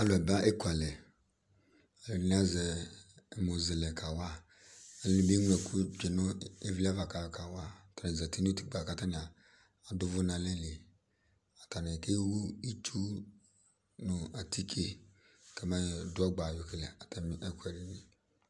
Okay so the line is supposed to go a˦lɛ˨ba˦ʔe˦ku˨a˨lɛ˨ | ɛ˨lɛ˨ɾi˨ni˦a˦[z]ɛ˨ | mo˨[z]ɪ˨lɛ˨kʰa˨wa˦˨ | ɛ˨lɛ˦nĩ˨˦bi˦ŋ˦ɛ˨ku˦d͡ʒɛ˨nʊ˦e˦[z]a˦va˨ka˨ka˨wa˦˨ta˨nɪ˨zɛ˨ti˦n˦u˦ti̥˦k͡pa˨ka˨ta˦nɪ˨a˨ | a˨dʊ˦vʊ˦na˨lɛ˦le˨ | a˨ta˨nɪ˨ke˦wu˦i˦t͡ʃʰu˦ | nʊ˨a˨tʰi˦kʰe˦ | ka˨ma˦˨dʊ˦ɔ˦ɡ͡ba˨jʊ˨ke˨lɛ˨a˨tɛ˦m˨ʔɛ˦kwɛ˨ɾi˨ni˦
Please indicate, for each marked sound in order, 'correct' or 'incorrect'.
correct, correct, incorrect

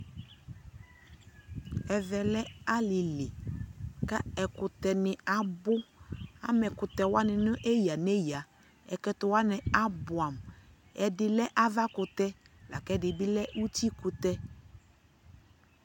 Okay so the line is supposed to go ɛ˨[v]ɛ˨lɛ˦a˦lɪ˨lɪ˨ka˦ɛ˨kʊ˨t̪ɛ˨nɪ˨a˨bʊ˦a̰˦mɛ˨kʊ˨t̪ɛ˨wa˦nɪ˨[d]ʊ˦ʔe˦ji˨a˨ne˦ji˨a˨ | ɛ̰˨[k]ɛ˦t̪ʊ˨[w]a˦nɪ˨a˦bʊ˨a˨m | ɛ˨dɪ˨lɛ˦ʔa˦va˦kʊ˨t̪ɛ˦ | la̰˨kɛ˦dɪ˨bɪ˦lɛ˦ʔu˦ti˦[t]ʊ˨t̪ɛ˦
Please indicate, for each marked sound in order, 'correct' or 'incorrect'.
correct, incorrect, correct, correct, incorrect

